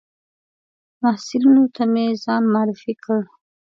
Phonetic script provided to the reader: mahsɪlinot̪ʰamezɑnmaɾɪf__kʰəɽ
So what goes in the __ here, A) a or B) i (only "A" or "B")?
B